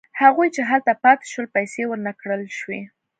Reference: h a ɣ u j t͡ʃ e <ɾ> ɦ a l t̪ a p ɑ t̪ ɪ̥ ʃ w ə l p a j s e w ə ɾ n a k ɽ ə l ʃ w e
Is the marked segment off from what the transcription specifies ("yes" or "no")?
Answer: yes